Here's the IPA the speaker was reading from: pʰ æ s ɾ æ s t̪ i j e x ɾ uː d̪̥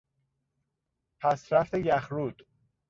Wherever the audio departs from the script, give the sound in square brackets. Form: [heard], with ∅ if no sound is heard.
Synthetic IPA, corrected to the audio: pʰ æ s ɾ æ [f] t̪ [e] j [æ] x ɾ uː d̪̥

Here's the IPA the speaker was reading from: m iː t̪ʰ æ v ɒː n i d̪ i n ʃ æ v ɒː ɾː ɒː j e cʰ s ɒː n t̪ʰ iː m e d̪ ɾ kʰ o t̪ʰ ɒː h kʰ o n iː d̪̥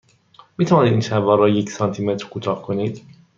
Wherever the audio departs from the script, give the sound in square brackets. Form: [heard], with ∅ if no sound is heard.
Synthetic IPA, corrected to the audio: m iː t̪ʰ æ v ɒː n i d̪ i n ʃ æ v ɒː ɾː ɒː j e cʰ s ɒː n t̪ʰ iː m e [t̪] ɾ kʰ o t̪ʰ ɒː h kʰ o n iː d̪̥

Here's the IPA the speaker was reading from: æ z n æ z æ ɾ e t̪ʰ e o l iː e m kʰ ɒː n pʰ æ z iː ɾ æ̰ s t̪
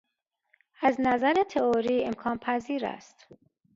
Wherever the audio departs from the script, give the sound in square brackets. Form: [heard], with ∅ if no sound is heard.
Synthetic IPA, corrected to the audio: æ z n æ z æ ɾ e t̪ʰ e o [ɾ] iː e m kʰ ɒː n pʰ æ z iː ɾ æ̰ s t̪

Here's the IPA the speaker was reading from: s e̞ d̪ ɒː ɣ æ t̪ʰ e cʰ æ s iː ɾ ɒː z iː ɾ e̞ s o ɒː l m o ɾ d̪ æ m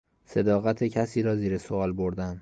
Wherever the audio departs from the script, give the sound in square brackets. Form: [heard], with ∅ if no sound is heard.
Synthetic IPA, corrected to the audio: s e̞ d̪ ɒː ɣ æ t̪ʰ e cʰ æ s iː ɾ ɒː z iː ɾ e̞ s o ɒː l [b] o ɾ d̪ æ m

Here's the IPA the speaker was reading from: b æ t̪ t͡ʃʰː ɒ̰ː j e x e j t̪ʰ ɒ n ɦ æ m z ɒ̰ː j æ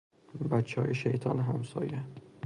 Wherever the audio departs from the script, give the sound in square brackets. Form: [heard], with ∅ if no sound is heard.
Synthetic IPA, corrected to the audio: b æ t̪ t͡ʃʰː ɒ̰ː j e [ʃ] e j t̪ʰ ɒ n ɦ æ m [s] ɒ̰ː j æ

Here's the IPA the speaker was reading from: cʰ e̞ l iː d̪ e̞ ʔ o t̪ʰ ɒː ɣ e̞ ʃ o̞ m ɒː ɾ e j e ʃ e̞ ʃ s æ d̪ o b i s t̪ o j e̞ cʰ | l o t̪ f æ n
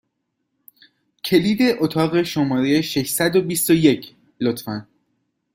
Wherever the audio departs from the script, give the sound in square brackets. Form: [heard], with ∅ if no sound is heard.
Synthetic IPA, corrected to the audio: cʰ e̞ l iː d̪ e̞ ʔ o t̪ʰ ɒː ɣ e̞ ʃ o̞ m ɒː ɾ e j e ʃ e̞ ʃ s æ d̪ o b i s t̪ o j e̞ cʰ | l o t̪ f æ n

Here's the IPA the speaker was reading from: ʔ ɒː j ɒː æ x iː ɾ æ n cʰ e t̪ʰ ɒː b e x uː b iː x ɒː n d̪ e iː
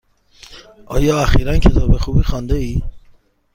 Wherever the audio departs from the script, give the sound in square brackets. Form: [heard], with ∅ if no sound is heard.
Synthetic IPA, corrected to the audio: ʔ ɒː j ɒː æ x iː ɾ æ n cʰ e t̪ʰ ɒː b e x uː b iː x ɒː n d̪ e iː

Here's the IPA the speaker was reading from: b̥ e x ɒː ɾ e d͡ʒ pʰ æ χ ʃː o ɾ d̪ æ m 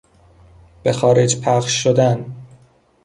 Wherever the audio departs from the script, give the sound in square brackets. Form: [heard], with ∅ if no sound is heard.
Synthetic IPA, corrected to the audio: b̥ e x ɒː ɾ e d͡ʒ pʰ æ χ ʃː o [∅] d̪ æ [n]

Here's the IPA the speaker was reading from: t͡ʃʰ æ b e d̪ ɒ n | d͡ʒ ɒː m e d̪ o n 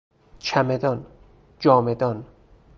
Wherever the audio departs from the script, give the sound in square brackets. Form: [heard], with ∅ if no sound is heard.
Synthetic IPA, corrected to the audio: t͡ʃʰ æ [m] e d̪ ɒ n | d͡ʒ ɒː m e d̪ [ɒ] n

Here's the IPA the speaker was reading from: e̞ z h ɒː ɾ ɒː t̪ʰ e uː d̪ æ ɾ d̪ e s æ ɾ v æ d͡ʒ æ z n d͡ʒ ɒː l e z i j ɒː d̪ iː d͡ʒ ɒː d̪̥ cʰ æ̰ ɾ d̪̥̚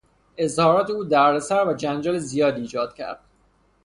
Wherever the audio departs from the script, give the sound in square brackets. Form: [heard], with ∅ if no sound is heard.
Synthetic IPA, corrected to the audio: e̞ z h ɒː ɾ ɒː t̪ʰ e uː d̪ æ ɾ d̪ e s æ ɾ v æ d͡ʒ æ [∅] n d͡ʒ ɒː l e z i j ɒː d̪ iː d͡ʒ ɒː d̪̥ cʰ æ̰ ɾ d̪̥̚

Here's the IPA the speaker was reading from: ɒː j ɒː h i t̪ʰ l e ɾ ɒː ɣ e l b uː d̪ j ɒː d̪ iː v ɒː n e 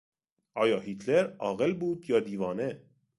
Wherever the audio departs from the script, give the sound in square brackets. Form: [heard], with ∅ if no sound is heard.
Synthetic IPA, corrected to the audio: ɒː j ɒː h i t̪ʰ l e ɾ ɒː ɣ e l b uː d̪ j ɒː d̪ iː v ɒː n e

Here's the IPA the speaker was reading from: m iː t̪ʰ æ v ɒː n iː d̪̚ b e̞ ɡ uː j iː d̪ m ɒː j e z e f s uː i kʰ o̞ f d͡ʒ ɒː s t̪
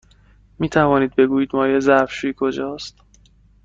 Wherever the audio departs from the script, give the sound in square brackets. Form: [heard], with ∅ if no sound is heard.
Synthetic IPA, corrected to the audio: m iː t̪ʰ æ v ɒː n iː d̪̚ b e̞ ɡ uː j iː d̪ m ɒː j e z [æ] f [ʃ] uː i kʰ o̞ [∅] d͡ʒ ɒː s t̪

